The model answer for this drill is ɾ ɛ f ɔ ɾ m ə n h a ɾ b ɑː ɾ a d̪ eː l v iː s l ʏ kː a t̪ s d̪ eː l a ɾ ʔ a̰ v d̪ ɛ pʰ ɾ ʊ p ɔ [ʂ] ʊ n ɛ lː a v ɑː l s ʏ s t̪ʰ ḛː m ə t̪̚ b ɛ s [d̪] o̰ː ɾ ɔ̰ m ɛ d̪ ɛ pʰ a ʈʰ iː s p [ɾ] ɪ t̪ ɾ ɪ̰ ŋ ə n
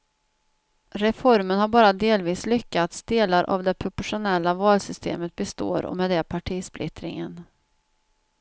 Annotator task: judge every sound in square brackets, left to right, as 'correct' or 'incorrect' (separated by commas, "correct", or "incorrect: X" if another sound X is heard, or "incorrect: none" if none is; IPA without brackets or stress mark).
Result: correct, incorrect: t̪, incorrect: l